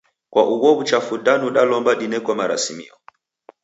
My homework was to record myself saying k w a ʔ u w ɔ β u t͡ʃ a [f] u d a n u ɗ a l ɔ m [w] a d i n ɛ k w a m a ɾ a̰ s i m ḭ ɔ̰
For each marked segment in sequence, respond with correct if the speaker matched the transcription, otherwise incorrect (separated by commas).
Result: correct, incorrect